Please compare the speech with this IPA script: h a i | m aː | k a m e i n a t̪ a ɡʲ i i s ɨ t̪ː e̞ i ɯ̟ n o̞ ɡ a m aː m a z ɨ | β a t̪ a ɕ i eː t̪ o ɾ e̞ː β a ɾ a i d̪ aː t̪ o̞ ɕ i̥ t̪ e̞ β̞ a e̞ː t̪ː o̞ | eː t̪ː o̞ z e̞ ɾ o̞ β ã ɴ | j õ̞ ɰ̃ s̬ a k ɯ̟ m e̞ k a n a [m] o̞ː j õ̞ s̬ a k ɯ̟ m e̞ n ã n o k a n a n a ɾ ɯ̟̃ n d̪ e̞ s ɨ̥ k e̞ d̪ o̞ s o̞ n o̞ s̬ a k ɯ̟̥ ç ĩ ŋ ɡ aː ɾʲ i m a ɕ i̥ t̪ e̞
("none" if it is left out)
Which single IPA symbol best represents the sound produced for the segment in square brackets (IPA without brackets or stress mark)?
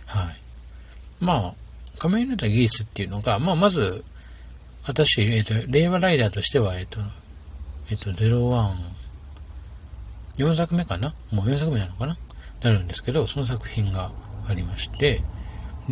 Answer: m